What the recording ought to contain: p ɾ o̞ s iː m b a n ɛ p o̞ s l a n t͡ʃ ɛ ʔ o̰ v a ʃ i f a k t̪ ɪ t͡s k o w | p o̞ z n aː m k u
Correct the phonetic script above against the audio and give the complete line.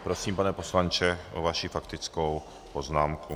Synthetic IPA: p ɾ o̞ s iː m p a n ɛ p o̞ s l a n t͡ʃ ɛ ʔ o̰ v a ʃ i f a k t̪ ɪ t͡s k o w | p o̞ z n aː m k u